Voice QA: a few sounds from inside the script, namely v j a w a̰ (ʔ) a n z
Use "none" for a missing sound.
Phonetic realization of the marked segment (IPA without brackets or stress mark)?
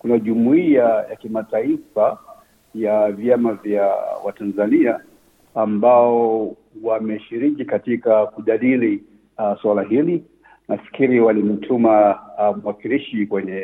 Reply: t